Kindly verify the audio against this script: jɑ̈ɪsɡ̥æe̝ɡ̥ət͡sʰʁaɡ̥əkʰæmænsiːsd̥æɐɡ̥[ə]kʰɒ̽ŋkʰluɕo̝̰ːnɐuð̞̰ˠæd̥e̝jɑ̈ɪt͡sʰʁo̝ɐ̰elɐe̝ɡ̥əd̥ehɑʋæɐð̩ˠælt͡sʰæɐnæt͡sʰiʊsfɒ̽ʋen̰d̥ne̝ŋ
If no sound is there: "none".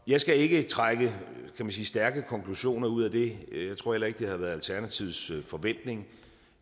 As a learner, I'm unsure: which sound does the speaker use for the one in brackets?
ə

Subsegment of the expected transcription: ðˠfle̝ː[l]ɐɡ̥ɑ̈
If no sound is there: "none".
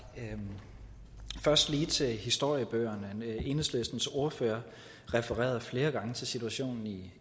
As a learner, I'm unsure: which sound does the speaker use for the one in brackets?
none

